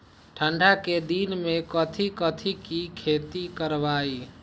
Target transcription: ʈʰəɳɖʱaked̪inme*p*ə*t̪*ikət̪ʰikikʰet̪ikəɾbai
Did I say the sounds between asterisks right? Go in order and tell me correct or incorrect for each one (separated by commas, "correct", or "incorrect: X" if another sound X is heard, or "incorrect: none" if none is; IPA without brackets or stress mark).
incorrect: k, incorrect: t̪ʰ